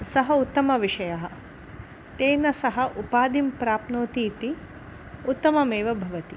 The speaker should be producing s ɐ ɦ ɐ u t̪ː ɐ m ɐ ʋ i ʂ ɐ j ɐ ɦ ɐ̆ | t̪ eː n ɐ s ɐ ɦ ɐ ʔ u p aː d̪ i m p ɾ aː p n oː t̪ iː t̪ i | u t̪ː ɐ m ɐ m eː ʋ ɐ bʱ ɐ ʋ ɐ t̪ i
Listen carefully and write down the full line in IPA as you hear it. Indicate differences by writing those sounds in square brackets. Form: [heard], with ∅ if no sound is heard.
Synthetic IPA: s ɐ ɦ ɐ u t̪ː ɐ m ɐ ʋ i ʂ ɐ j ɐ ɦ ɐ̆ | t̪ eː n ɐ s ɐ ɦ ɐ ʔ u p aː d̪ i m p ɾ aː p n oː t̪ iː t̪ i | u t̪ː ɐ m ɐ m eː ʋ ɐ bʱ ɐ ʋ ɐ t̪ i